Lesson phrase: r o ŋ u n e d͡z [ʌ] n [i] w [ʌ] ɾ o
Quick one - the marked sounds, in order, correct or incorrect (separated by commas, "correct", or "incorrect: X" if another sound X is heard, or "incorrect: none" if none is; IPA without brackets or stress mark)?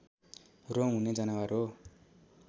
incorrect: a, incorrect: a, incorrect: a